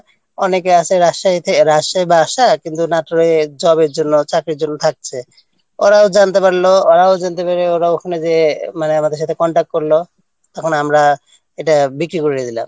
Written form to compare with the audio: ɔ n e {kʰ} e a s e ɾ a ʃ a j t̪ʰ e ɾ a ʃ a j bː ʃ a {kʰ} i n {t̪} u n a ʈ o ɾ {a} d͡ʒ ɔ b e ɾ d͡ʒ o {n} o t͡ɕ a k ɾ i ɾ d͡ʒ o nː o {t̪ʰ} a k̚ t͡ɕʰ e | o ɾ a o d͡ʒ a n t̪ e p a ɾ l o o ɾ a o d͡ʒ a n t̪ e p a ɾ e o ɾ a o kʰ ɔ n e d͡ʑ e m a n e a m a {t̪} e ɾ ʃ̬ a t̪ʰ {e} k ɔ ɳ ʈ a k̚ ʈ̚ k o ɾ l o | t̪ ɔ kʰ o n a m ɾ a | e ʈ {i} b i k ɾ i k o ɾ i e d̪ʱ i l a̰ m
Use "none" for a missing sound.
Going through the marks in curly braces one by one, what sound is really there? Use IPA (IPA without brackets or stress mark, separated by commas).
k, k, t̪, e, nː, t̪ʰ, d̪, e, a